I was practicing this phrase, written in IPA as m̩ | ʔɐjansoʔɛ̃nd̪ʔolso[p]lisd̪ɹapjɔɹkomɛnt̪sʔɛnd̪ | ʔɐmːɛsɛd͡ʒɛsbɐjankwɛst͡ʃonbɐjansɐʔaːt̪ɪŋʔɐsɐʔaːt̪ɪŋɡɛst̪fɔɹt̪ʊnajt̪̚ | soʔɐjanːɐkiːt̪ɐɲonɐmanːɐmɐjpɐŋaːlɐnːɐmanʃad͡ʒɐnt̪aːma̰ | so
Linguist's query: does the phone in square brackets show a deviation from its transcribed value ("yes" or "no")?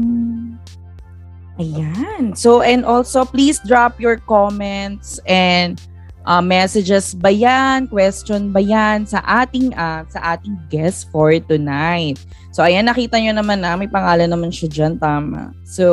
no